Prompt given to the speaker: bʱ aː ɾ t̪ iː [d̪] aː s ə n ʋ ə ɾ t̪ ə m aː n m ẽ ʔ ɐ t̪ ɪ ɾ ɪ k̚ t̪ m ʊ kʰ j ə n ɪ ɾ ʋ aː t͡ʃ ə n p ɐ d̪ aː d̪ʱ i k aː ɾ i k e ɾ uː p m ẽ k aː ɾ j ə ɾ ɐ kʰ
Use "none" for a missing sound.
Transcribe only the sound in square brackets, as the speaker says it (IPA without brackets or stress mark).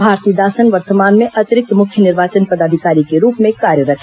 d̪